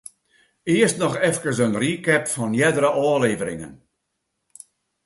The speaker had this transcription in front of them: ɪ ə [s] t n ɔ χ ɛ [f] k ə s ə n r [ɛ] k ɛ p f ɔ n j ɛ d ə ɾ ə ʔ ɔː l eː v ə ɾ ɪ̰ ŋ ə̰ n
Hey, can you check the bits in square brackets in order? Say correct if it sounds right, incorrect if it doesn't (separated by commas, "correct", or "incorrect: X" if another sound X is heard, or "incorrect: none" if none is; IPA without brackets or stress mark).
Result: correct, correct, incorrect: i